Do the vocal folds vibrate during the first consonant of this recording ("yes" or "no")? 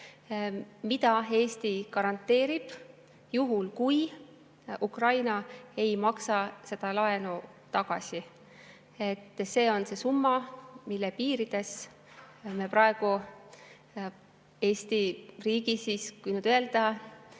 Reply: yes